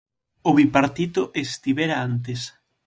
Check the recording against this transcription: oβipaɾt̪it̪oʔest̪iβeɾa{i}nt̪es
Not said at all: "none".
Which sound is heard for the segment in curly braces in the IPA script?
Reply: a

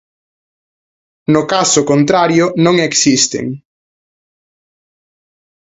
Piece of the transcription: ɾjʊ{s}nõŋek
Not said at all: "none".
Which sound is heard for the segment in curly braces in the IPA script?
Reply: none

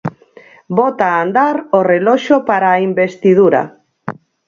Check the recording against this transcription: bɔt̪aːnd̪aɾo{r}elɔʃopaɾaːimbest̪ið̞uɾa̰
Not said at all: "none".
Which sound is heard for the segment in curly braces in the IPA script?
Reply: r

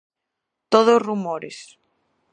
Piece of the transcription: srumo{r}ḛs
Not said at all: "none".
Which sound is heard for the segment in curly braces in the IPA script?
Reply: ɾ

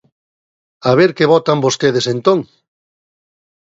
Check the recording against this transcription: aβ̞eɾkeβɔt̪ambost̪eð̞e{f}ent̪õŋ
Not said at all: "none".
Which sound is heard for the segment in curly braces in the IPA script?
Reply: s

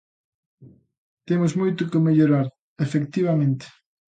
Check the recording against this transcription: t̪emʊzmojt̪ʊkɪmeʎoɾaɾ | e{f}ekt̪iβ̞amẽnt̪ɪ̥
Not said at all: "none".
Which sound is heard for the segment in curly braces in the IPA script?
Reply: f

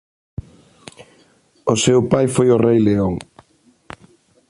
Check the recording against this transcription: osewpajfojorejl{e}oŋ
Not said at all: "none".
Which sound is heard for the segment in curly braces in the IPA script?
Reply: e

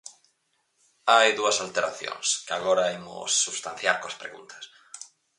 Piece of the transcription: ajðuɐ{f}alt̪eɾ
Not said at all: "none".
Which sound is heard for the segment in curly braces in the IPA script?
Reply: s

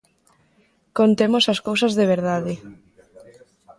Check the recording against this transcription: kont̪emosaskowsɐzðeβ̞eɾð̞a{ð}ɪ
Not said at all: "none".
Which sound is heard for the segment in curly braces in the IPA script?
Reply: ð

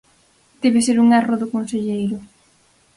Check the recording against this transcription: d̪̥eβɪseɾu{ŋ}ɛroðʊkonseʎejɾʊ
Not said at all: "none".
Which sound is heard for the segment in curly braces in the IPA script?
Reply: ŋ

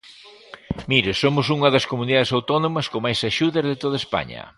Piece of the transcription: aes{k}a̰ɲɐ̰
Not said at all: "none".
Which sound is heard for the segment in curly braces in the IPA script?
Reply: p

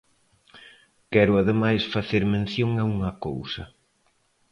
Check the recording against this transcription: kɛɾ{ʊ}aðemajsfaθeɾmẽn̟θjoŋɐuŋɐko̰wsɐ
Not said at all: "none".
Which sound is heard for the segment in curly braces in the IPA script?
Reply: ʊ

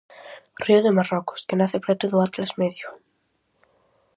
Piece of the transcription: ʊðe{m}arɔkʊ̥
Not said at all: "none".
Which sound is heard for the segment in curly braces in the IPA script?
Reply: m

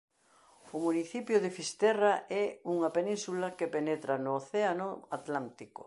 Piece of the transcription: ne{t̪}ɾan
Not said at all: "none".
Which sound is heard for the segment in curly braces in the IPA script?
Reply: t̪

